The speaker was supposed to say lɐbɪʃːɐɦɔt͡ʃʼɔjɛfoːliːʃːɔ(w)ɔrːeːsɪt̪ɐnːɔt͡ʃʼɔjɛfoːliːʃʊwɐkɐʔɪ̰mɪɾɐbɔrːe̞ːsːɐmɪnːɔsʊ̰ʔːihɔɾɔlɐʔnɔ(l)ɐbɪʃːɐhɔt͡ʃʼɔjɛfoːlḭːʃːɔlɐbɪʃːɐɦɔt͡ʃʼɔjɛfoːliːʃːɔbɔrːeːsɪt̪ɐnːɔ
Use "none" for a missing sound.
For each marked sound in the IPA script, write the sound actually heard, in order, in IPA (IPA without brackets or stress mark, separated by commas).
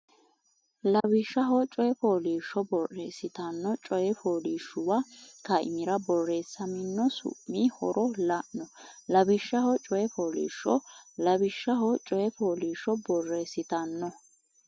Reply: b, l